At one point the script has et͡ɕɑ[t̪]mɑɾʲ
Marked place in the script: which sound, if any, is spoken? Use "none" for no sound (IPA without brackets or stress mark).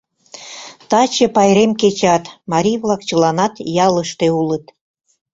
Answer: t̪